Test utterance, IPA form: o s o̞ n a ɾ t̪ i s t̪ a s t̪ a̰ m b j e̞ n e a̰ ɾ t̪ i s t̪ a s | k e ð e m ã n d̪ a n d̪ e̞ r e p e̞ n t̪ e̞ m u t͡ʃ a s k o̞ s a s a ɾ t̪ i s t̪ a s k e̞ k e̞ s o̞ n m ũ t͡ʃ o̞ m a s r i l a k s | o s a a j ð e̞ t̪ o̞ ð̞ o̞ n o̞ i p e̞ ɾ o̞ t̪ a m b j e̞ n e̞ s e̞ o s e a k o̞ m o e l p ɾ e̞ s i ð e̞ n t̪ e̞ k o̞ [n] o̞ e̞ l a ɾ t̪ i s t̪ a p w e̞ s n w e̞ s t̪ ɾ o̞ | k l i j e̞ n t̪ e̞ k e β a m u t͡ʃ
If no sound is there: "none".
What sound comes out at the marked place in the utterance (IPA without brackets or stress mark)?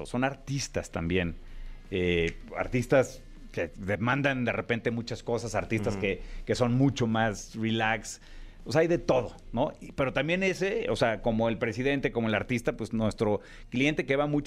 m